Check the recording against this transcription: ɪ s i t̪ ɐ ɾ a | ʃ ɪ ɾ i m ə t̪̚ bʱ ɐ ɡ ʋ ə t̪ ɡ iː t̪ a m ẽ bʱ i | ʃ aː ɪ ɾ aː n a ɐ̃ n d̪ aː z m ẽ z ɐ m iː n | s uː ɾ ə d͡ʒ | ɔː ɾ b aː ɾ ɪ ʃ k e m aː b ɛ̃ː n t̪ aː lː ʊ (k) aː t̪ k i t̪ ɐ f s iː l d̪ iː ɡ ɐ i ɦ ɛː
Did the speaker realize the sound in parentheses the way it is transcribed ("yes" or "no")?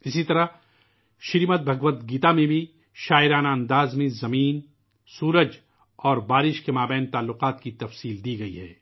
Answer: no